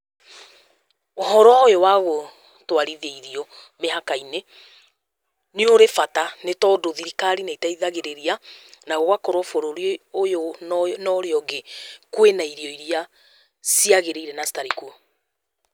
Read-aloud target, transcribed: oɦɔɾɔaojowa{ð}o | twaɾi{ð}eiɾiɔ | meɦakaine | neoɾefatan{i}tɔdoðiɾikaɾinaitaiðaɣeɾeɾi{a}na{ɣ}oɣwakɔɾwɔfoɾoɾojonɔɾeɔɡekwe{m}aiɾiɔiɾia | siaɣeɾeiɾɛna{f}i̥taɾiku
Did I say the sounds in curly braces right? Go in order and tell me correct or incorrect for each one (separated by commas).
incorrect, correct, incorrect, correct, correct, incorrect, incorrect